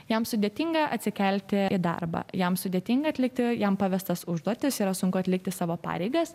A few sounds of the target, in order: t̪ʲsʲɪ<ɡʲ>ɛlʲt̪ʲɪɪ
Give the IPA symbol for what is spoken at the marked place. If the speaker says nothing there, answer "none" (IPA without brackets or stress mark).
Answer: kʲ